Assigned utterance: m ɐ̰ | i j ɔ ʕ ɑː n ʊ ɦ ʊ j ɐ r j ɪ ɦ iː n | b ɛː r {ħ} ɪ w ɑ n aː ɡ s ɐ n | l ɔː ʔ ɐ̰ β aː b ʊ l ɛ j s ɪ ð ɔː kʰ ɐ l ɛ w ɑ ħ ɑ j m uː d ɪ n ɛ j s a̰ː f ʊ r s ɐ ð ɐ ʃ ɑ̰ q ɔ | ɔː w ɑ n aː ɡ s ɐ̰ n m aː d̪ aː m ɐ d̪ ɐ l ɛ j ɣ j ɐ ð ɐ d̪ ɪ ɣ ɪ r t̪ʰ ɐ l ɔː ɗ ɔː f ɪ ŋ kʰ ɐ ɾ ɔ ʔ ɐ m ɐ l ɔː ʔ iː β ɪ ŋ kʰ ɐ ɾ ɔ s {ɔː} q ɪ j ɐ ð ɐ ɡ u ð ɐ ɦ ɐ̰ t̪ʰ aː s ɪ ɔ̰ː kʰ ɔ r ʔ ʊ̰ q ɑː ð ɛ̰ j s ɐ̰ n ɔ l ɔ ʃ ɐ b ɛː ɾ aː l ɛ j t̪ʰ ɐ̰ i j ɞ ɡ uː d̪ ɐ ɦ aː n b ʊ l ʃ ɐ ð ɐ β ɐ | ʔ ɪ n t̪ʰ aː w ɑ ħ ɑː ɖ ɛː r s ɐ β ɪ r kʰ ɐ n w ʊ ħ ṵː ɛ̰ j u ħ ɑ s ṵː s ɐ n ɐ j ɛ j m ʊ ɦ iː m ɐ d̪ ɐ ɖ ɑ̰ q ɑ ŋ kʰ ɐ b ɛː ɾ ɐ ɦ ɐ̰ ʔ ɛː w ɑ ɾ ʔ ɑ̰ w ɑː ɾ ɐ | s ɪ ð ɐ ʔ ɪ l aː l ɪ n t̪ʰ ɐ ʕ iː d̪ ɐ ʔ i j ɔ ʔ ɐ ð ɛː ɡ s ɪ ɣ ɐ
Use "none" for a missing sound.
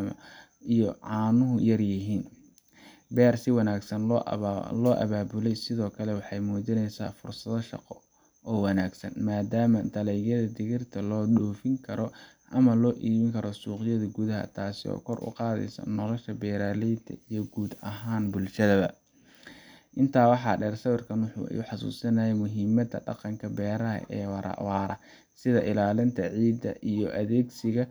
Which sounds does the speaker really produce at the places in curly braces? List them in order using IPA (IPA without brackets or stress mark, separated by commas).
s, uː